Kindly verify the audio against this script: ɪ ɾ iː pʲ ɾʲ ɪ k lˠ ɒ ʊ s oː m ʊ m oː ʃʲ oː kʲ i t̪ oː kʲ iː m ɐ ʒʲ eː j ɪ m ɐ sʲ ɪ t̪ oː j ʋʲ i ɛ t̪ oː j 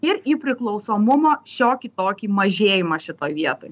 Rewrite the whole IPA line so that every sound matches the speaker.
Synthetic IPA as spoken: ɪ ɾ iː pʲ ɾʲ ɪ k lˠ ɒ ʊ s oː m ʊ m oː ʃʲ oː kʲ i t̪ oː kʲ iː m ɐ ʒʲ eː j ɪ m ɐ ʃʲ ɪ t̪ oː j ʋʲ i ɛ t̪ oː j

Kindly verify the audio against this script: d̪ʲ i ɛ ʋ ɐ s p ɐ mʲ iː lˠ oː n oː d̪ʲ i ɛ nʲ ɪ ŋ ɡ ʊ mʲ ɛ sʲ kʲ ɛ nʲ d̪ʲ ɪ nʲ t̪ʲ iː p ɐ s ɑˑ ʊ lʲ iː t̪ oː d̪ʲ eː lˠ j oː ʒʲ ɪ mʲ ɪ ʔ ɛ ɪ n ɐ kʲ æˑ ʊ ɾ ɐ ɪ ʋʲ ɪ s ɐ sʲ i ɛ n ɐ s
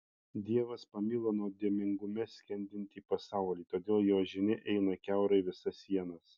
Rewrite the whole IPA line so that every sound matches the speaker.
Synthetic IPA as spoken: d̪ʲ i ɛ ʋ ɐ s p ɐ mʲ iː lˠ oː n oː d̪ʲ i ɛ mʲ ɪ ŋ ɡ ʊ mʲ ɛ sʲ kʲ ɛ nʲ d̪ʲ ɪ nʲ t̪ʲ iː p ɐ s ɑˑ ʊ lʲ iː t̪ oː d̪ʲ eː lˠ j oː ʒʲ ɪ nʲ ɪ ʔ ɛ ɪ n ɐ kʲ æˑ ʊ ɾ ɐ ɪ ʋʲ ɪ s ɐ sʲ i ɛ n ɐ s

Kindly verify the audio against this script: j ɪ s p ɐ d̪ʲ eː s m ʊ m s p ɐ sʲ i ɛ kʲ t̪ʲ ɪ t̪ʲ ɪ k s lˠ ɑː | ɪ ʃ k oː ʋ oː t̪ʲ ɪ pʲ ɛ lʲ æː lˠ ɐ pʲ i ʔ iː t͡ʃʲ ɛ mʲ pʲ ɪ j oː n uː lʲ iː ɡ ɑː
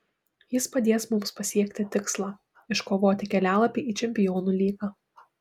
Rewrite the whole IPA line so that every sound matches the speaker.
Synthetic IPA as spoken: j ɪ s p ɐ d̪ʲ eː s m ʊ m s p ɐ sʲ i ɛ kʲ t̪ʲ ɪ t̪ʲ ɪ k s lˠ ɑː | ɪ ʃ k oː ʋ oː t̪ʲ ɪ kʲ ɛ lʲ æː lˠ ɐ pʲ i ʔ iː t͡ʃʲ ɛ mʲ pʲ ɪ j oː n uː lʲ iː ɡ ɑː

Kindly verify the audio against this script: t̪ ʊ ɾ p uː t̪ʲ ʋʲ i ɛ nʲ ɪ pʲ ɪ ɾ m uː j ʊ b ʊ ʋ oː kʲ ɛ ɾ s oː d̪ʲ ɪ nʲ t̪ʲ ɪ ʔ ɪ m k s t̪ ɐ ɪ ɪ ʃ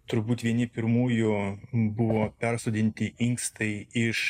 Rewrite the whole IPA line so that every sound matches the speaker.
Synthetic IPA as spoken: t̪ ʊ ɾ b uː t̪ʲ ʋʲ i ɛ nʲ ɪ pʲ ɪ ɾ m uː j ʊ b ʊ ʋ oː pʲ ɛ ɾ s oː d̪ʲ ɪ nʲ t̪ʲ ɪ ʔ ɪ ŋ k s t̪ ɐ ɪ ɪ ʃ

